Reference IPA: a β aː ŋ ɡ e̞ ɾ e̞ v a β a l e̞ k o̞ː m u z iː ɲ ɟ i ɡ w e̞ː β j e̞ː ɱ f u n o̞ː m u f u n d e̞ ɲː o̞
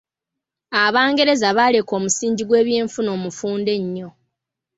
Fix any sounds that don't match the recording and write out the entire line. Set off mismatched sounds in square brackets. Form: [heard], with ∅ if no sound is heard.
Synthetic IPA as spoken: a β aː ŋ ɡ e̞ ɾ e̞ [z] a β a l e̞ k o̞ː m u [s] iː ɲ ɟ i ɡ w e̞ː β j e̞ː ɱ f u n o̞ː m u f [uː] n d e̞ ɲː o̞